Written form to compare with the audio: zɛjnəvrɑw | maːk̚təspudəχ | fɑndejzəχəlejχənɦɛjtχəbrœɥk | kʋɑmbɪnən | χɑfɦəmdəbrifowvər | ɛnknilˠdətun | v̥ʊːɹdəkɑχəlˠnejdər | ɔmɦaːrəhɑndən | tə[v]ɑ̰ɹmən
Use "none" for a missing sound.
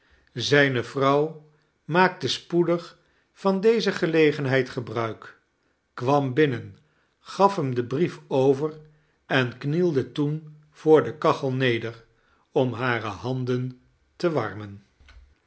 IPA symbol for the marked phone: ʋ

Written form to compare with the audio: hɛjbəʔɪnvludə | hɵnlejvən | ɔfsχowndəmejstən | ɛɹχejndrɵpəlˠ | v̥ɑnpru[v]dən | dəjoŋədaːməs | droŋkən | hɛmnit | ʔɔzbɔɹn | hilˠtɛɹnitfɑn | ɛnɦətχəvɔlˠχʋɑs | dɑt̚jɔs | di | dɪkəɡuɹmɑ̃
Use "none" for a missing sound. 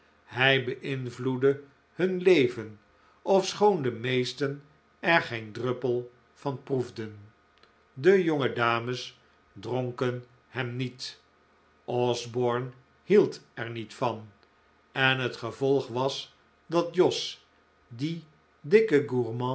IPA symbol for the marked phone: v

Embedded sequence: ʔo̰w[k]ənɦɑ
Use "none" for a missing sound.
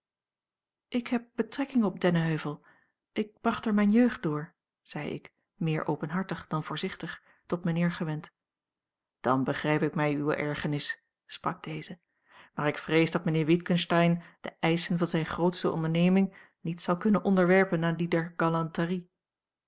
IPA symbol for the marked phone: p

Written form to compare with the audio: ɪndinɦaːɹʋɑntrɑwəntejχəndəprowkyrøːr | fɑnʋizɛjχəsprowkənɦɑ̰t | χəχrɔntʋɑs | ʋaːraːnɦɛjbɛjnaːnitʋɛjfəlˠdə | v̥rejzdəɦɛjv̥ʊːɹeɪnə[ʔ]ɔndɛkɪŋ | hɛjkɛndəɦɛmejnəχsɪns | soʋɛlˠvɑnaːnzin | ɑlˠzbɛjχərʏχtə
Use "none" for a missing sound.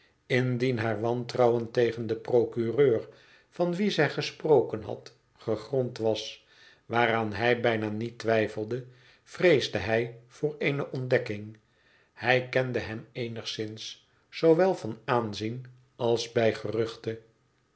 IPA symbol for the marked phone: ʔ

